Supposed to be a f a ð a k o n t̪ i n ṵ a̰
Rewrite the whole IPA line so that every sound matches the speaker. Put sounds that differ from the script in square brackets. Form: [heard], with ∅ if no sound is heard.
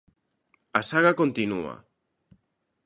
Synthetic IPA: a [s] a [ɣ] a k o n t̪ i n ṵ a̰